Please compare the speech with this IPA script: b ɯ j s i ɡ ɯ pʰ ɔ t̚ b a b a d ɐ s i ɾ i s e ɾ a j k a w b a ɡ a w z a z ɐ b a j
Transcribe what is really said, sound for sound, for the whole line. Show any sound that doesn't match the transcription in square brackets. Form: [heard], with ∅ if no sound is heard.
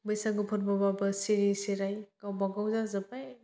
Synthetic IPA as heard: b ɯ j s [a] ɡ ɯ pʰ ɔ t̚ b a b a [b] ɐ s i ɾ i s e ɾ a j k a w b a ɡ a w z a z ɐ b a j